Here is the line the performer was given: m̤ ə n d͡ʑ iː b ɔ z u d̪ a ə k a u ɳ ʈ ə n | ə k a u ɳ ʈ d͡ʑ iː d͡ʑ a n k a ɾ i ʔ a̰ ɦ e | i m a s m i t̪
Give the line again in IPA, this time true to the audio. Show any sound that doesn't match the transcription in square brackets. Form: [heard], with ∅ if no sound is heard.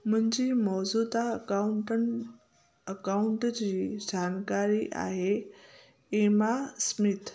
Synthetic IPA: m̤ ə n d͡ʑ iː [m] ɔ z u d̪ a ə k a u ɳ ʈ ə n | ə k a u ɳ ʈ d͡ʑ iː d͡ʑ a n k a ɾ i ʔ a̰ ɦ e | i m a s m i t̪

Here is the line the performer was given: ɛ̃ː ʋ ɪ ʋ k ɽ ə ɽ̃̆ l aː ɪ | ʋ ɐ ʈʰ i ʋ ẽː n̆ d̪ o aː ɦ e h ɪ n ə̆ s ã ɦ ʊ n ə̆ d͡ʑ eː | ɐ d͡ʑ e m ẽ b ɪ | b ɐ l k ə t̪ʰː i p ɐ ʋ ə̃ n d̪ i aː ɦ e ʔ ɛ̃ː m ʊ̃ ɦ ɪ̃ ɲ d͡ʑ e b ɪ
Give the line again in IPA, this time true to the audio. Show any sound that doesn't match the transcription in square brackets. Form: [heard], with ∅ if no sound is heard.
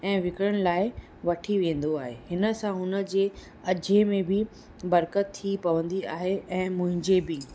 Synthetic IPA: ɛ̃ː ʋ ɪ [∅] k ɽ ə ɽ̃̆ l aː ɪ | ʋ ɐ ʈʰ i ʋ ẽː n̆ d̪ o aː ɦ e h ɪ n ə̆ s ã ɦ ʊ n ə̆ d͡ʑ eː | ɐ d͡ʑ e m ẽ b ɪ | b ɐ [ɾ] k ə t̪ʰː i p ɐ ʋ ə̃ n d̪ i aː ɦ e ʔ ɛ̃ː m ʊ̃ ɦ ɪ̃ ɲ d͡ʑ e b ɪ

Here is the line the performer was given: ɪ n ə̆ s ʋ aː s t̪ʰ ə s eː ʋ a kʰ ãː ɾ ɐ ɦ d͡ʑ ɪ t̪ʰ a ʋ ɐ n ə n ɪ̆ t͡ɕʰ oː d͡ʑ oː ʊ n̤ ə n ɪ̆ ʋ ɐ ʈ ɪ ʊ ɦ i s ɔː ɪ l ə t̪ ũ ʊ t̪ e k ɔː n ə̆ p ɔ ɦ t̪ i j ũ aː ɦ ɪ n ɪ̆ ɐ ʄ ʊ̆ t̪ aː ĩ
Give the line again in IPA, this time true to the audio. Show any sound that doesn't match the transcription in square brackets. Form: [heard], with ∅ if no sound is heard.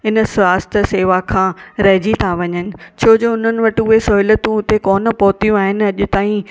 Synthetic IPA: ɪ n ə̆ s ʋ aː s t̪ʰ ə s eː ʋ a kʰ ãː ɾ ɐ ɦ d͡ʑ [i] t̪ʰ a ʋ ɐ [ɲ] ə n ɪ̆ t͡ɕʰ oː d͡ʑ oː ʊ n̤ ə n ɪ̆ ʋ ɐ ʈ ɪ ʊ ɦ [e] s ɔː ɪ l ə t̪ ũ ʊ t̪ e k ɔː n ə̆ p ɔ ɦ t̪ i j ũ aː ɦ ɪ n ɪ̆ ɐ ʄ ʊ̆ t̪ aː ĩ

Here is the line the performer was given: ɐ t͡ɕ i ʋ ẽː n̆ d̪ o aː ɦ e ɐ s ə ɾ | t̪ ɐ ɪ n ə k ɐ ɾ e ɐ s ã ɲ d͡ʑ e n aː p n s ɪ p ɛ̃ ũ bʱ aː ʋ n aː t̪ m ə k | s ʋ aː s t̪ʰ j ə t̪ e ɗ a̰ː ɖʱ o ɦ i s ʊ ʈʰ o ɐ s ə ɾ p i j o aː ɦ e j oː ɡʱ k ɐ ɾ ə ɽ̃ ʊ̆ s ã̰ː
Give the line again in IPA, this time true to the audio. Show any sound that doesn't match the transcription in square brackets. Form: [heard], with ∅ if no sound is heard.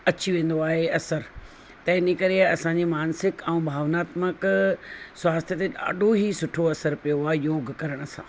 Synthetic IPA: ɐ t͡ɕ i ʋ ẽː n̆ d̪ o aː ɦ e ɐ s ə ɾ | t̪ ɐ ɪ n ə k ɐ ɾ e ɐ s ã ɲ d͡ʑ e [m] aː [∅] n s ɪ [k] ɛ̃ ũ bʱ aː ʋ n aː t̪ m ə k | s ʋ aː s t̪ʰ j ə t̪ e ɗ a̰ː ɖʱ o ɦ i s ʊ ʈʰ o ɐ s ə ɾ p i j o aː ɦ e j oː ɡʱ k ɐ ɾ ə ɽ̃ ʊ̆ s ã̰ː

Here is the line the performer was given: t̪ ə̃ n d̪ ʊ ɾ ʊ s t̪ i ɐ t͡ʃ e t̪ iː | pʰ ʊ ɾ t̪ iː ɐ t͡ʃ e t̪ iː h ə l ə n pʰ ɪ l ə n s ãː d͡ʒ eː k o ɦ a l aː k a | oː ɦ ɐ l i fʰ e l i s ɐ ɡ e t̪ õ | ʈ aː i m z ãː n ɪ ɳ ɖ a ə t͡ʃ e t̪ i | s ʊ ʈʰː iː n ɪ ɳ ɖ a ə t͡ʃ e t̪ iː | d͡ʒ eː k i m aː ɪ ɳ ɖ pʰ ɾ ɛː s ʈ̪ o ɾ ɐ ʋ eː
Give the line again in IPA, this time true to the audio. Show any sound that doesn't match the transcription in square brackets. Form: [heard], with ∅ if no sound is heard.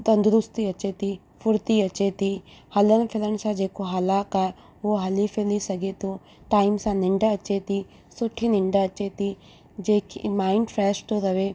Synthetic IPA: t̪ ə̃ n d̪ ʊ ɾ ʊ s t̪ i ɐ t͡ʃ e t̪ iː | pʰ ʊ ɾ t̪ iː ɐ t͡ʃ e t̪ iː h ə l ə n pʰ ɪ l ə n s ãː d͡ʒ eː k o ɦ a l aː k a | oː ɦ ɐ l i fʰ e l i s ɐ ɡ e t̪ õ | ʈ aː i m [s] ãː n ɪ ɳ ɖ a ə t͡ʃ e t̪ i | s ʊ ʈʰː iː n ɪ ɳ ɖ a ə t͡ʃ e t̪ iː | d͡ʒ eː k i m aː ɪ ɳ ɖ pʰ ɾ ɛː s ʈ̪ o ɾ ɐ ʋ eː

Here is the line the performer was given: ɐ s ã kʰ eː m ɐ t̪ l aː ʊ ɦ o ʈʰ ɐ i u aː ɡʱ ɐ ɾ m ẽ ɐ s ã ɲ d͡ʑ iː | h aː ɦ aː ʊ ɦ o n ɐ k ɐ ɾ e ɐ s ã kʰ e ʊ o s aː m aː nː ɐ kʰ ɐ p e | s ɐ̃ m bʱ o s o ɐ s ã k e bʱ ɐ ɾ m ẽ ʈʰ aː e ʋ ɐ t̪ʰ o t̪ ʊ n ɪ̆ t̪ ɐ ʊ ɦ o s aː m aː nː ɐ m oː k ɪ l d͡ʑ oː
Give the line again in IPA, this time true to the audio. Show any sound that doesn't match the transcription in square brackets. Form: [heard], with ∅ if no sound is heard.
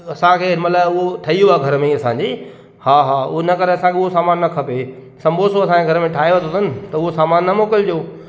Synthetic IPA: ɐ s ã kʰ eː m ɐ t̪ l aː ʊ ɦ o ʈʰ ɐ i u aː ɡʱ ɐ ɾ m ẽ ɐ s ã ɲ d͡ʑ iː | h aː ɦ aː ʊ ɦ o n ɐ k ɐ ɾ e ɐ s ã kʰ e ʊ o s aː m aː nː ɐ kʰ ɐ p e | s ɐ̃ m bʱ o s o ɐ s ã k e [ɡʱ] ɐ ɾ m ẽ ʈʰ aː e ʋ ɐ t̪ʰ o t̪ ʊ n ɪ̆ t̪ ɐ ʊ ɦ o s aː m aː nː ɐ m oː k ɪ l d͡ʑ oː

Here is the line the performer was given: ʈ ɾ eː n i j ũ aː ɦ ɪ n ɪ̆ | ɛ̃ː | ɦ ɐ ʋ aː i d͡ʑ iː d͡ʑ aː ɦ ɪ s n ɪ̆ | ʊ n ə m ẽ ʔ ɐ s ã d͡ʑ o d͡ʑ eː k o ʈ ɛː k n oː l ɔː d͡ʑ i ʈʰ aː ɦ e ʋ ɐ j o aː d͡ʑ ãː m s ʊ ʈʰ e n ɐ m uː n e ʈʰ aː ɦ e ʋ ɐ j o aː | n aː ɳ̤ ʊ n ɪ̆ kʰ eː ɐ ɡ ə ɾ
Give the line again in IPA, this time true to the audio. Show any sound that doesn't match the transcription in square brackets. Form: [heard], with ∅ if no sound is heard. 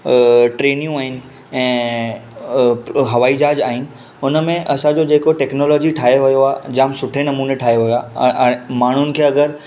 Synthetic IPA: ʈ ɾ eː n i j ũ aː ɦ ɪ n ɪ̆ | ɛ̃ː | ɦ ɐ ʋ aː i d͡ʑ [aː] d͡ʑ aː ɦ ɪ [∅] n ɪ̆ | ʊ n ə m ẽ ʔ ɐ s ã d͡ʑ o d͡ʑ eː k o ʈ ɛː k n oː l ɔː d͡ʑ i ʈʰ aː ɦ e ʋ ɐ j o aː d͡ʑ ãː m s ʊ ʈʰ e n ɐ m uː n e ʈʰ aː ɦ e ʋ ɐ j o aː | [m] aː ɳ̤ ʊ n ɪ̆ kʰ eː ɐ ɡ ə ɾ

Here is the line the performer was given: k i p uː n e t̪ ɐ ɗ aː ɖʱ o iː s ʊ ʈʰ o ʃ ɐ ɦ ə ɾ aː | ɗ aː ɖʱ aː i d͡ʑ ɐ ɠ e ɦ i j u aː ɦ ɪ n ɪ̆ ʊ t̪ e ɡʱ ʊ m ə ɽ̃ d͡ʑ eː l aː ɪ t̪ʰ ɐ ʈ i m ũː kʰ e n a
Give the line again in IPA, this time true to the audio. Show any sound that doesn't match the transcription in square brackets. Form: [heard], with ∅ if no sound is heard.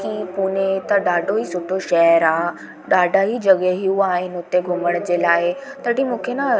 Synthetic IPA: k i p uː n e t̪ ɐ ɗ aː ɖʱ o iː s ʊ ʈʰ o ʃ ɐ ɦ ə ɾ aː | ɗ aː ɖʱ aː i d͡ʑ ɐ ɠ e ɦ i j u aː ɦ ɪ n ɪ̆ ʊ t̪ e ɡʱ ʊ m ə ɽ̃ d͡ʑ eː l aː ɪ [t̪] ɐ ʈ i m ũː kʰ e n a

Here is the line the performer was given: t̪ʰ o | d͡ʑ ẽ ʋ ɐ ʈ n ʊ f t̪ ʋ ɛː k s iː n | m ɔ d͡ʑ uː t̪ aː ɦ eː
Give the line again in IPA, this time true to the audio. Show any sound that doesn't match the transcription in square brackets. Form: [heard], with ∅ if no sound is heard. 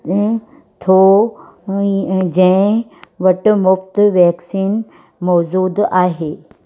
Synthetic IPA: t̪ʰ o | d͡ʑ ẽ ʋ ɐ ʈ [m] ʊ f t̪ ʋ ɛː k s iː n | m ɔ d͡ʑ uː [d̪] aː ɦ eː

